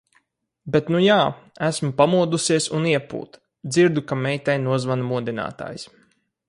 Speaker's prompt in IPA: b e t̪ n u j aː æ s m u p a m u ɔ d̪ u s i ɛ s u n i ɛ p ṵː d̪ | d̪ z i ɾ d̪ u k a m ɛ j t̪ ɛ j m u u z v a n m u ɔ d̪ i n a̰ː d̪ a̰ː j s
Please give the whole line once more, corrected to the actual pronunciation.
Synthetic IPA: b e t̪ n u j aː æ s m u p a m u ɔ d̪ u s i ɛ s u n i ɛ p ṵː t̪ | d̪ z i ɾ d̪ u k a m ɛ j t̪ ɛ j n u ɔ z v a n m u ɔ d̪ i n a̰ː t̪ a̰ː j s